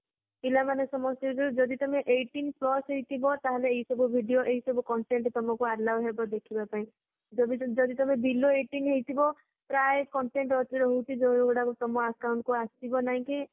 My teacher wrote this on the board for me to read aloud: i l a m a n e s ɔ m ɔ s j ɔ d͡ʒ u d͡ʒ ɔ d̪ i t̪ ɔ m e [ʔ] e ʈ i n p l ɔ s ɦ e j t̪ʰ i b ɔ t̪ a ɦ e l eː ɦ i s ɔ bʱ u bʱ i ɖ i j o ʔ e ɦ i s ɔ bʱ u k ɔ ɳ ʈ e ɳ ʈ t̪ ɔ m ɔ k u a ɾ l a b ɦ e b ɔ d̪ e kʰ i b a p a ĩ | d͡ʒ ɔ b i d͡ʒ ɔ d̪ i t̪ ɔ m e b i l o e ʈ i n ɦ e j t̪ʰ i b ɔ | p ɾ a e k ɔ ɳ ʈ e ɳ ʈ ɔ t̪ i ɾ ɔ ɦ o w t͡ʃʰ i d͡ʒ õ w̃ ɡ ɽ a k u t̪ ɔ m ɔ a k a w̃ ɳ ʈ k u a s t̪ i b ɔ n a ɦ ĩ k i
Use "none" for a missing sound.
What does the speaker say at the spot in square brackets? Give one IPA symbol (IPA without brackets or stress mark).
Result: ʔ